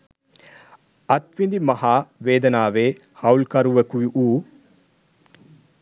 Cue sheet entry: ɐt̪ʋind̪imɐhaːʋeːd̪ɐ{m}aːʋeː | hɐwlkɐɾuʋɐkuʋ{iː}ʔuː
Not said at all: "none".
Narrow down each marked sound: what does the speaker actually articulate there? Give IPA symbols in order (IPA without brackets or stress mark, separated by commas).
n, i